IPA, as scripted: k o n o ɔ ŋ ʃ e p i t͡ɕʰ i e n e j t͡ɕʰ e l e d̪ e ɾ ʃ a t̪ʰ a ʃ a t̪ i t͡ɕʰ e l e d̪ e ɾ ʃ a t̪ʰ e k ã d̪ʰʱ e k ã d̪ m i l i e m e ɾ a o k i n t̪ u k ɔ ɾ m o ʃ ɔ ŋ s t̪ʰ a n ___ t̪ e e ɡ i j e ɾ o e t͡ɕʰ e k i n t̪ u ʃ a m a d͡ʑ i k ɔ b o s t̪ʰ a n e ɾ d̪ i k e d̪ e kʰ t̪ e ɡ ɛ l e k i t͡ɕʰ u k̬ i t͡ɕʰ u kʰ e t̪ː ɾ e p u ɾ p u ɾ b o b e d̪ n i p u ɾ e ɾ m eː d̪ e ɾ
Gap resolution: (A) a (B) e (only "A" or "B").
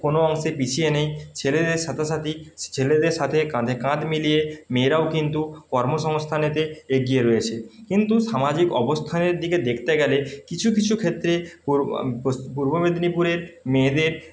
B